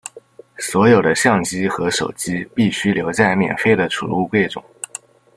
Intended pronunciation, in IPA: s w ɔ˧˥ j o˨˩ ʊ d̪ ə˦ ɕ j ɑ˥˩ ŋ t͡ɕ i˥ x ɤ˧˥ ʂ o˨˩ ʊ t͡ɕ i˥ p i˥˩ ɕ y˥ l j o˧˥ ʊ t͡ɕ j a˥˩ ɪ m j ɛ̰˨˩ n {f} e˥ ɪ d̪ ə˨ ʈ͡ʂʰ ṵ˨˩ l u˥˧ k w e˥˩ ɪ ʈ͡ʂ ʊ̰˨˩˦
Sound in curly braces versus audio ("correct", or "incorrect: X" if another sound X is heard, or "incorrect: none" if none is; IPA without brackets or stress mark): correct